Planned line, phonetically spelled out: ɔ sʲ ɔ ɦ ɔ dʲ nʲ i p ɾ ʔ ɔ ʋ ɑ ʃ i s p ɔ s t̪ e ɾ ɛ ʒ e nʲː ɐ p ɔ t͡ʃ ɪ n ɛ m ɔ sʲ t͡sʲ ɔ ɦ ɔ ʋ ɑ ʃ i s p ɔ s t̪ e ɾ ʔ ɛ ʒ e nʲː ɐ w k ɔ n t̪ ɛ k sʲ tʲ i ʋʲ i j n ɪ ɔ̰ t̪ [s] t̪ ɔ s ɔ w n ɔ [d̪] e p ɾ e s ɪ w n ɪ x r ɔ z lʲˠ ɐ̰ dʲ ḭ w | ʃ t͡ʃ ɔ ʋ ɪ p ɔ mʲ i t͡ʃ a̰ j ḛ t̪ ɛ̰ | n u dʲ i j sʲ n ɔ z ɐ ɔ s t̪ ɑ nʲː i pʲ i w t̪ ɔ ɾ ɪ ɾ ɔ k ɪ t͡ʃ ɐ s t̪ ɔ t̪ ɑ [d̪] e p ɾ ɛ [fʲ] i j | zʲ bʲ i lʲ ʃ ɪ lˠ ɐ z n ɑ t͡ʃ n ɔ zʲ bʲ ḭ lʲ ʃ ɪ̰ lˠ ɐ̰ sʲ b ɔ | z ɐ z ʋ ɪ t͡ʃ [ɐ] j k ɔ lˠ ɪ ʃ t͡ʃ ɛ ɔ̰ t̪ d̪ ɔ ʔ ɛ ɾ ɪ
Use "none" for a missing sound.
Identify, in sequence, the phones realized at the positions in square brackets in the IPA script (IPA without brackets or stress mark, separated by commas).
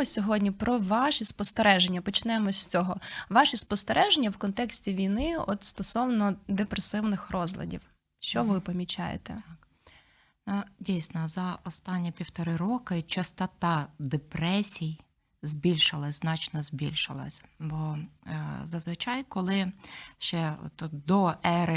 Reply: s, d̪, d̪, sʲ, ɑ